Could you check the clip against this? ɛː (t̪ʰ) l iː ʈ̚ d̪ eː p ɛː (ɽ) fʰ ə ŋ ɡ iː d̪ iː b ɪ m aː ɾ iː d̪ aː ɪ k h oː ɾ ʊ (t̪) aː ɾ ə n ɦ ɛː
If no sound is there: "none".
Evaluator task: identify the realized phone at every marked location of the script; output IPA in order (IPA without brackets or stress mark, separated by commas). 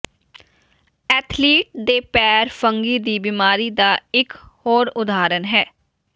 t̪ʰ, ɾ, d̪